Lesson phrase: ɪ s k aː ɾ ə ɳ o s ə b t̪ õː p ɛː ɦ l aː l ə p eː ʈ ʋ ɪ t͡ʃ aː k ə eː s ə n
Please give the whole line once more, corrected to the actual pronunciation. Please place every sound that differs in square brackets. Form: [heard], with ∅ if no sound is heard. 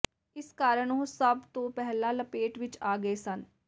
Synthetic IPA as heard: ɪ s k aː ɾ ə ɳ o s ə b t̪ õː p [ɛ] ɦ l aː l ə p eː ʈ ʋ ɪ t͡ʃ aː [ɡ] ə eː s ə n